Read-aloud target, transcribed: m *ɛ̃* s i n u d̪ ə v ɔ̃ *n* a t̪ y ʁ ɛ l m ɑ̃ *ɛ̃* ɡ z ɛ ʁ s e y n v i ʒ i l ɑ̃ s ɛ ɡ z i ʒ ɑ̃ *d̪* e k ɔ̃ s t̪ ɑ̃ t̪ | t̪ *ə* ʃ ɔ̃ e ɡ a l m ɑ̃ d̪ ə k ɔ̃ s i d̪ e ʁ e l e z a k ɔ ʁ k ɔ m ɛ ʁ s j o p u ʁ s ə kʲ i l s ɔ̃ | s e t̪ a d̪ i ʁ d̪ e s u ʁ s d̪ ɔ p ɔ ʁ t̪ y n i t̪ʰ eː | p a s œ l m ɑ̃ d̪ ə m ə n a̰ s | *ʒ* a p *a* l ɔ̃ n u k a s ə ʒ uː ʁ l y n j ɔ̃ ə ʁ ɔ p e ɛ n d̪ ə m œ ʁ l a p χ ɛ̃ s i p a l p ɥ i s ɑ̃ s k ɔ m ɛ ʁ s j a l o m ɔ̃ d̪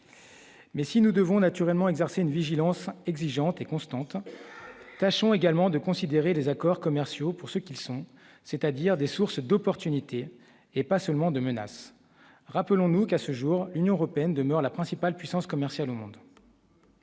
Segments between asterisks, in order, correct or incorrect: incorrect: ɛ, correct, incorrect: ɛ, incorrect: t̪, incorrect: a, incorrect: ʁ, incorrect: ə

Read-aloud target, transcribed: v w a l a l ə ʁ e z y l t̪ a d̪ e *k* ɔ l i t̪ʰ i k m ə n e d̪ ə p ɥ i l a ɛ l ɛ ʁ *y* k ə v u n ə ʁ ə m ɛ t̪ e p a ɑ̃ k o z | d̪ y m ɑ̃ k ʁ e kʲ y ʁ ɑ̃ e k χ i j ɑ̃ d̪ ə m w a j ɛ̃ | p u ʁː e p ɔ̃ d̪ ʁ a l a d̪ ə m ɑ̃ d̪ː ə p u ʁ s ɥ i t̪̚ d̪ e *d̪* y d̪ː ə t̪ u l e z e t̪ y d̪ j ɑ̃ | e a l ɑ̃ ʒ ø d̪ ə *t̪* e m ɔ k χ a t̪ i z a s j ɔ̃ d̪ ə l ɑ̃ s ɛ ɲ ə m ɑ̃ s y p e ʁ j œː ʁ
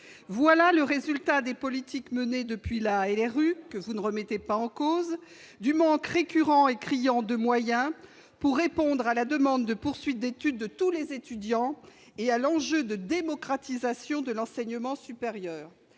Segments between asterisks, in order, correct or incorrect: incorrect: p, correct, incorrect: t̪, incorrect: d̪

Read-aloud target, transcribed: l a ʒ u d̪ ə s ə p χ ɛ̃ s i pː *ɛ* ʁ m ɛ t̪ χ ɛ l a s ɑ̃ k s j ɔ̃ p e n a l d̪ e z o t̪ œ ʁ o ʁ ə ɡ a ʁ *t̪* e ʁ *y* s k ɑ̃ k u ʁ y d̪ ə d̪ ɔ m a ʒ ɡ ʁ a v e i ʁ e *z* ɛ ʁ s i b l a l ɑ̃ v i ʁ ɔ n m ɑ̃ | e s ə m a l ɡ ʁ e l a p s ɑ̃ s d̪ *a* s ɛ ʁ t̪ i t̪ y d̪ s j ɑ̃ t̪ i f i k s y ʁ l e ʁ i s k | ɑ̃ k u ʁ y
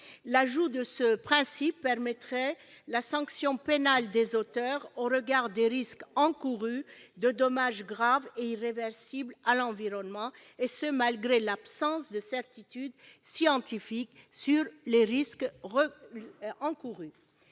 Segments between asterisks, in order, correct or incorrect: correct, incorrect: d̪, incorrect: i, incorrect: v, incorrect: ə

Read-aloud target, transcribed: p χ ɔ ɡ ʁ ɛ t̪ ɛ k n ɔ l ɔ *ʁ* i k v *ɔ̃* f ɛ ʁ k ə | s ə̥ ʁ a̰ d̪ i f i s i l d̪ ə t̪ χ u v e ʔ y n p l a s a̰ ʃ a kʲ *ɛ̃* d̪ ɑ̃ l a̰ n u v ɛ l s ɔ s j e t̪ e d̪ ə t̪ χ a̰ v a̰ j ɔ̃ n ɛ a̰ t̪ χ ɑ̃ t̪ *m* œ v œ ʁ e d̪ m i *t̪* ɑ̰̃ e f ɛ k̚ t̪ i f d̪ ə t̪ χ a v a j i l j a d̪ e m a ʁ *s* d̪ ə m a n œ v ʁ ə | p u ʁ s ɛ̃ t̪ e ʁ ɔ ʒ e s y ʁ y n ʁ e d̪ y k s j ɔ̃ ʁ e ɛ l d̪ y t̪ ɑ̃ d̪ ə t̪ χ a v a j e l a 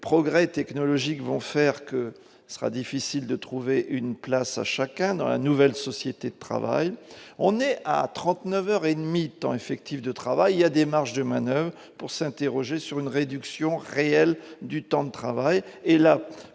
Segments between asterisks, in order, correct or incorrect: incorrect: ʒ, correct, correct, incorrect: n, correct, incorrect: ʃ

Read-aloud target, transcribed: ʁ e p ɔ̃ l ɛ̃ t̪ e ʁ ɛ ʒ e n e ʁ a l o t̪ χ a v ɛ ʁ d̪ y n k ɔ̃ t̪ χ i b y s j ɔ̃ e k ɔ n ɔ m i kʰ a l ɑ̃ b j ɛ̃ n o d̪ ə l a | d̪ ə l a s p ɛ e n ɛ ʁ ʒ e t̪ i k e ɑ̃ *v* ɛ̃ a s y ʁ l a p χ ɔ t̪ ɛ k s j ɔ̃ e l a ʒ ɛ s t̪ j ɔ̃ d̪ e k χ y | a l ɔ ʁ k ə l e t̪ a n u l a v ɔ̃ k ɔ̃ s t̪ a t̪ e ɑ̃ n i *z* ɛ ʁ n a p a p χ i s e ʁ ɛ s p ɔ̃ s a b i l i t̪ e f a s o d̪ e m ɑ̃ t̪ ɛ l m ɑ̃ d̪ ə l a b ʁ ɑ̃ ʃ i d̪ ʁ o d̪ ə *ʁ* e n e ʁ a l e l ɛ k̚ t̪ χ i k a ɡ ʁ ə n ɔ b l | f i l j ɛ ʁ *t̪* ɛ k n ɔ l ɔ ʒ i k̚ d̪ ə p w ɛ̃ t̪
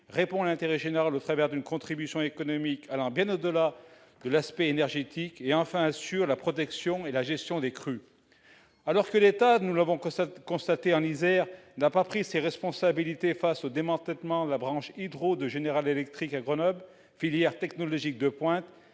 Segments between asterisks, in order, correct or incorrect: incorrect: f, correct, incorrect: ʒ, correct

